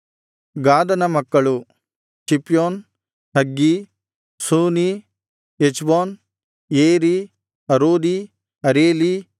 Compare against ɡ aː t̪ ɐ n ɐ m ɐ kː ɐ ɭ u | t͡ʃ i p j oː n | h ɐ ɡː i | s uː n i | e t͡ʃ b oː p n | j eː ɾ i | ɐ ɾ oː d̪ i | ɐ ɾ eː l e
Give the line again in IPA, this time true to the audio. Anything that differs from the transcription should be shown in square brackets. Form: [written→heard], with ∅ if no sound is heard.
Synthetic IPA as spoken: ɡ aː [t̪→d̪] ɐ n ɐ m ɐ kː ɐ ɭ u | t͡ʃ i p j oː n | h ɐ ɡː i | s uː n i | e t͡ʃ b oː [p→∅] n | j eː ɾ i | ɐ ɾ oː d̪ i | ɐ ɾ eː l [e→i]

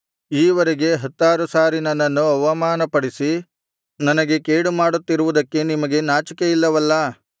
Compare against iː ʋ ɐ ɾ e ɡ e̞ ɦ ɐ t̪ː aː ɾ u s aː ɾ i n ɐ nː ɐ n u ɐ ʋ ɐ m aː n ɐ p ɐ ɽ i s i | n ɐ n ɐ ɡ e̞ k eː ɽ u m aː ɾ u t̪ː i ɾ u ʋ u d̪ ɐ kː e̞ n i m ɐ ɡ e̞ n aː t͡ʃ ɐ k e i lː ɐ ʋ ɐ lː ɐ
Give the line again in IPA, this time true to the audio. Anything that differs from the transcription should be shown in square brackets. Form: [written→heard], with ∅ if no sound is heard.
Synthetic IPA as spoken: iː ʋ ɐ ɾ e ɡ e̞ ɦ ɐ t̪ː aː ɾ u s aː ɾ i n ɐ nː ɐ [n→nː] u ɐ ʋ ɐ m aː n ɐ p ɐ ɽ i s i | n ɐ n ɐ ɡ e̞ k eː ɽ u m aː [ɾ→ɽ] u t̪ː i ɾ u ʋ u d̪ ɐ kː e̞ n i m ɐ ɡ e̞ n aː t͡ʃ ɐ k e i lː ɐ ʋ ɐ lː ɐ

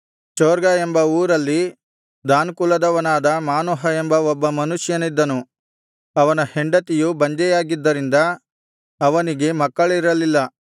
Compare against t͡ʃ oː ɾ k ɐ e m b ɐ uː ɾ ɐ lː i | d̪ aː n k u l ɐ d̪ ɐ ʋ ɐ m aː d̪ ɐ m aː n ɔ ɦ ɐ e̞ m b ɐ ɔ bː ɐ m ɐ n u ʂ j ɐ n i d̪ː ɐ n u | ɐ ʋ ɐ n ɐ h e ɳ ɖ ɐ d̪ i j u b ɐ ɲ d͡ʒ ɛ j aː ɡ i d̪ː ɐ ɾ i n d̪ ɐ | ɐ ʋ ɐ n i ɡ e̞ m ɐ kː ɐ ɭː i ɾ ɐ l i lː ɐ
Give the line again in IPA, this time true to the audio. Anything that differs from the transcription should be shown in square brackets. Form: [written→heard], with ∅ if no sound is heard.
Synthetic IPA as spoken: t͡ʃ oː ɾ [k→ɡ] ɐ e m b ɐ uː ɾ ɐ lː i | d̪ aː n k u l ɐ d̪ ɐ ʋ ɐ [m→n] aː d̪ ɐ m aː n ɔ ɦ ɐ e̞ m b ɐ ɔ bː ɐ m ɐ n u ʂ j ɐ n i d̪ː ɐ n u | ɐ ʋ ɐ n ɐ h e ɳ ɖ ɐ [d̪→t̪] i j u b ɐ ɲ d͡ʒ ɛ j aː ɡ i d̪ː ɐ ɾ i n d̪ ɐ | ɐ ʋ ɐ n i ɡ e̞ m ɐ kː ɐ [ɭː→ɭ] i ɾ ɐ l i lː ɐ

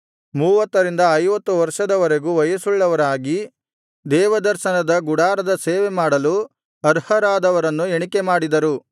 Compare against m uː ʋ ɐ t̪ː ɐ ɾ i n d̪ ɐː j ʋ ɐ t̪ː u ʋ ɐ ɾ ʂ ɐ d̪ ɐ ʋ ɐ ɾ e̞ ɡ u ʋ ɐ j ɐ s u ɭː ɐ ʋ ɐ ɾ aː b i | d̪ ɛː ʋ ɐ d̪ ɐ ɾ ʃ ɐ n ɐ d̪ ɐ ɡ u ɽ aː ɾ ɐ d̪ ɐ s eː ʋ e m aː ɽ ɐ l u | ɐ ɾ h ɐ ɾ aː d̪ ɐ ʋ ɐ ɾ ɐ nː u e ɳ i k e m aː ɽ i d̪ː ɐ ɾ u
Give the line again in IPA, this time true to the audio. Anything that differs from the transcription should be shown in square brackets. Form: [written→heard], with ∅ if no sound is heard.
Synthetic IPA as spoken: m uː ʋ ɐ t̪ː ɐ ɾ i n d̪ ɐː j ʋ ɐ t̪ː u ʋ ɐ ɾ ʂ ɐ d̪ ɐ ʋ ɐ ɾ e̞ ɡ u ʋ ɐ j ɐ s u ɭː ɐ ʋ ɐ ɾ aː [b→ɡ] i | d̪ ɛː ʋ ɐ d̪ ɐ ɾ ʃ ɐ n ɐ d̪ ɐ ɡ u ɽ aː ɾ ɐ d̪ ɐ s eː ʋ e m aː ɽ ɐ l u | ɐ ɾ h ɐ ɾ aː d̪ ɐ ʋ ɐ ɾ ɐ nː u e ɳ i k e m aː ɽ i [d̪ː→d̪] ɐ ɾ u

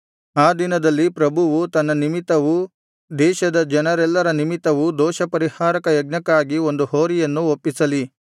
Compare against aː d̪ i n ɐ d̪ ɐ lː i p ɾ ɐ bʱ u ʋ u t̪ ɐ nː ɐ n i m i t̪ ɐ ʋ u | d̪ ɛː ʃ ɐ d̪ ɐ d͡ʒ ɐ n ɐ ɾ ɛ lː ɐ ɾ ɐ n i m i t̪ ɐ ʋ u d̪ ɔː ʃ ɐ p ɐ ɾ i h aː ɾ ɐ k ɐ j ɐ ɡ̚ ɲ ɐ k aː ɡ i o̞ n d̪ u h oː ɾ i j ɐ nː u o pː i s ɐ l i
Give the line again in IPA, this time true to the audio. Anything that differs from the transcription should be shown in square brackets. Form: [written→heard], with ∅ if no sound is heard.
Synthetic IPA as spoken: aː d̪ i n ɐ d̪ ɐ lː i p ɾ ɐ bʱ u ʋ u t̪ ɐ nː ɐ n i m i t̪ ɐ ʋ u | d̪ ɛː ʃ ɐ d̪ ɐ d͡ʒ ɐ n ɐ ɾ ɛ lː ɐ ɾ ɐ n i m i t̪ ɐ ʋ u d̪ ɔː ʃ ɐ p ɐ ɾ i h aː ɾ ɐ k ɐ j ɐ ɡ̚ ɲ ɐ k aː ɡ i o̞ n d̪ u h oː ɾ i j ɐ nː u o pː i s ɐ l i

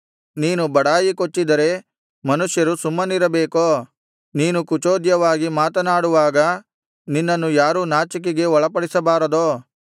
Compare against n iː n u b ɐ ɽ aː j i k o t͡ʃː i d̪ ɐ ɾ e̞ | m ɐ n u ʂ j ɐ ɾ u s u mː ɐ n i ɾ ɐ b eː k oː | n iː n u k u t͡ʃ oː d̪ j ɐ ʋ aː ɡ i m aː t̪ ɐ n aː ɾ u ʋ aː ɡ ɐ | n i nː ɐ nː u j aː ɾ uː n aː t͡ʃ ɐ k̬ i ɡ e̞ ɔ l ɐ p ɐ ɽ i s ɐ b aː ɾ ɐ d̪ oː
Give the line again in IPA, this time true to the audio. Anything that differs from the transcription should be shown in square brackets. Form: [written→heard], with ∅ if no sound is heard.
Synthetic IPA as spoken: n iː n u b ɐ ɽ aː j i k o t͡ʃː i d̪ ɐ ɾ e̞ | m ɐ n u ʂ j ɐ ɾ u s u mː ɐ n i ɾ ɐ b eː k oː | n iː n u k u t͡ʃ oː d̪ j ɐ ʋ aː ɡ i m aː t̪ ɐ n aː [ɾ→ɽ] u ʋ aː ɡ ɐ | n i nː ɐ nː u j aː ɾ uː n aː t͡ʃ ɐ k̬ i ɡ e̞ ɔ [l→ɭ] ɐ p ɐ ɽ i s ɐ b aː ɾ ɐ d̪ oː

